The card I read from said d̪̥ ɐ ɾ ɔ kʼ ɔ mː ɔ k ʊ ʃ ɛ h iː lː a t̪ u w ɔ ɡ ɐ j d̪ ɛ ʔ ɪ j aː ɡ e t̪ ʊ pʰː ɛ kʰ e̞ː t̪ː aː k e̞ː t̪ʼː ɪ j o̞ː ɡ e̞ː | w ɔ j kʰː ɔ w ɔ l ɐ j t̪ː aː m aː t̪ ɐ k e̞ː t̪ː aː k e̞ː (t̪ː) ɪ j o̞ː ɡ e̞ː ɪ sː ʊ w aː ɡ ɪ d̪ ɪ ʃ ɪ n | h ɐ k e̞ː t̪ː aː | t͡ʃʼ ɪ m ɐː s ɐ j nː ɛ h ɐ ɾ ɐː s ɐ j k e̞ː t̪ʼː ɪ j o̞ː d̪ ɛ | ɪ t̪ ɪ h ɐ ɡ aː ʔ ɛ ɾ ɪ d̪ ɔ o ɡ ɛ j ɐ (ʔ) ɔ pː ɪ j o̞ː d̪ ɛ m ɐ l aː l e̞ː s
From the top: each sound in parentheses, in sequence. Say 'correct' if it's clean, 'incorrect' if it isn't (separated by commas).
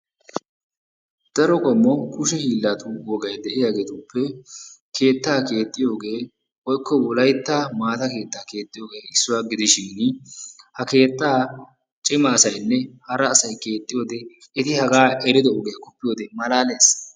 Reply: incorrect, incorrect